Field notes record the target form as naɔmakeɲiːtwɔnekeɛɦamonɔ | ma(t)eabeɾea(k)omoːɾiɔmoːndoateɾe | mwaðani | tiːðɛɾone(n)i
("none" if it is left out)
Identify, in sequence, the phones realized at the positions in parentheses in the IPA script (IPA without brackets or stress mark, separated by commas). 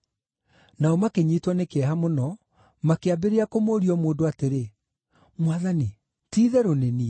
k, k, n